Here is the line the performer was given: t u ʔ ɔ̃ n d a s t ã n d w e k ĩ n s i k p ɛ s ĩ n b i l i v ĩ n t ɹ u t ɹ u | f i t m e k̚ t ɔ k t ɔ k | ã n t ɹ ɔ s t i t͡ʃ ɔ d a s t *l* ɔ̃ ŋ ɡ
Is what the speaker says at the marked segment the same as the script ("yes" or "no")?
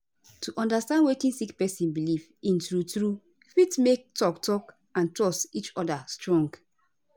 no